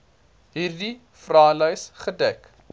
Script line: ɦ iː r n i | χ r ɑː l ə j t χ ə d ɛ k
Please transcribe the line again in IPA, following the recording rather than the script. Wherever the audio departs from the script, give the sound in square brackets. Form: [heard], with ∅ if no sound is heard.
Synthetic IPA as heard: ɦ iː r [d] i | [f] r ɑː l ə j [s] χ ə d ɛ k